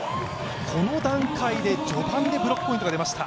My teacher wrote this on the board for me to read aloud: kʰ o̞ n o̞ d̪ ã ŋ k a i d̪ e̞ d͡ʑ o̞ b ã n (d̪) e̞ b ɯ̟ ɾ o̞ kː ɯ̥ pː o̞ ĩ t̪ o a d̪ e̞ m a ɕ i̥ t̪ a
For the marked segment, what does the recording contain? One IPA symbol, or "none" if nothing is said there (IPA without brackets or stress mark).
d̪